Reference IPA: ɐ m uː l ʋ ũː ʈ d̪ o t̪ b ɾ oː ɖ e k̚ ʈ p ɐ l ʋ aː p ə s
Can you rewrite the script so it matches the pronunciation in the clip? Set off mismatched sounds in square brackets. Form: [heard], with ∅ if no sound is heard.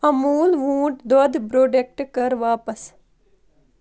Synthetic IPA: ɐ m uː l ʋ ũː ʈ d̪ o [d̪] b ɾ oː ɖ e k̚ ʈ [k] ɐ [ɾ] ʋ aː p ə s